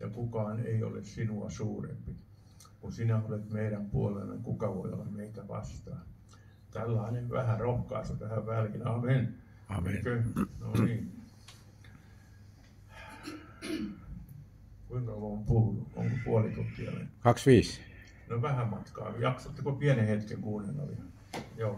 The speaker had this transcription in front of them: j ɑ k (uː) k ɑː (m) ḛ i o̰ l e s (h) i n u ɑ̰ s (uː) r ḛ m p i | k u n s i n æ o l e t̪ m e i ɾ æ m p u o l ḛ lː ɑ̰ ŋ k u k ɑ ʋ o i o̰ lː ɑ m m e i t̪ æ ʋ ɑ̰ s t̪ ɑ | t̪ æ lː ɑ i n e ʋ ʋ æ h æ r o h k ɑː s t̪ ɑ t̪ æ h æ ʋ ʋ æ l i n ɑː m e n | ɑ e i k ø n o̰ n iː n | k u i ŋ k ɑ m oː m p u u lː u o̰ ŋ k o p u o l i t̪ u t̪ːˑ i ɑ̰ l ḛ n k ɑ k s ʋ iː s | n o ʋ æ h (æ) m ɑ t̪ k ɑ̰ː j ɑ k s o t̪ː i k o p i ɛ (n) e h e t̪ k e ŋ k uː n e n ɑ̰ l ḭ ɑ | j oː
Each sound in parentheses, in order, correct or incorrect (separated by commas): incorrect, incorrect, incorrect, correct, correct, correct